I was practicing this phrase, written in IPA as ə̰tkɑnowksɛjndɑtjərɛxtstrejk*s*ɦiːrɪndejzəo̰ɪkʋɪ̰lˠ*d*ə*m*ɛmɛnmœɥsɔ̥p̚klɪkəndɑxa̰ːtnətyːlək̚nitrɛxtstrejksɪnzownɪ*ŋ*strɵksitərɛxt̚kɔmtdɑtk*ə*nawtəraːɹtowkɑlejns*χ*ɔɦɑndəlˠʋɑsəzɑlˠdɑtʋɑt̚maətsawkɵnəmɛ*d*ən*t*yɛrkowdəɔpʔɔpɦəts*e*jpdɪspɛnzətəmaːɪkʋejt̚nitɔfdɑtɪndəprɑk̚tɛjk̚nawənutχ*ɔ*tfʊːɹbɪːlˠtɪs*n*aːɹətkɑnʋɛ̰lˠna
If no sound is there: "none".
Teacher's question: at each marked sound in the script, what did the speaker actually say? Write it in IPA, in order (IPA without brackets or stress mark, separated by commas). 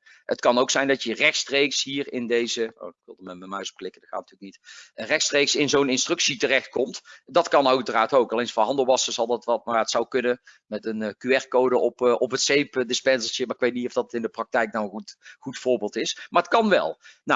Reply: s, d, m, n, ɑ, f, t, k, e, u, m